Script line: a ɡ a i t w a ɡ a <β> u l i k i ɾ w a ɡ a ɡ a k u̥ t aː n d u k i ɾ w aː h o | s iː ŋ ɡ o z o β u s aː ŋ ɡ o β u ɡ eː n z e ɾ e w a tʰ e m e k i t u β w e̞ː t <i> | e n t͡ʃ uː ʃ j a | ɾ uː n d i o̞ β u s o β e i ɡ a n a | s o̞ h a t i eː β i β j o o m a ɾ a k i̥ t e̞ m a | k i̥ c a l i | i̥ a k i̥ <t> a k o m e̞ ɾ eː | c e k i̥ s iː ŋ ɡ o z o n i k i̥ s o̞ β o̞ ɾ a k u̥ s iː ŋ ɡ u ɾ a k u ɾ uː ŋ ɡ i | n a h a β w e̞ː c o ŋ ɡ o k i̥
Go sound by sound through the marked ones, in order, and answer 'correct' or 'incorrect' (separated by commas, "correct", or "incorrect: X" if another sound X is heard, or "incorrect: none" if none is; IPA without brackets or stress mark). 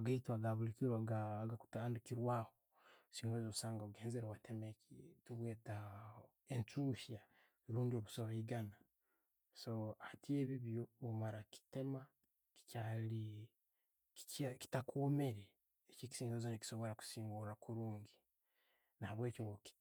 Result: correct, incorrect: a, correct